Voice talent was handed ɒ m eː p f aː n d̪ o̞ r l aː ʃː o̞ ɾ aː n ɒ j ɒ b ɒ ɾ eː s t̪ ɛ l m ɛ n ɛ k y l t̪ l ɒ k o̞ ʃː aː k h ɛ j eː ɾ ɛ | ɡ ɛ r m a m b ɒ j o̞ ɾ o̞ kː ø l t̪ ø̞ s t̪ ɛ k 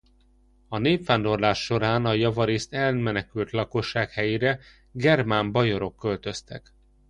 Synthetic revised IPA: ɒ n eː p f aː n d̪ o̞ r l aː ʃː o̞ ɾ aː n ɒ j ɒ v ɒ ɾ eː s t̪ ɛ l m ɛ n ɛ k y l t̪ l ɒ k o̞ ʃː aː k h ɛ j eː ɾ ɛ | ɡ ɛ r m a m b ɒ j o̞ ɾ o̞ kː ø l t̪ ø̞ s t̪ ɛ k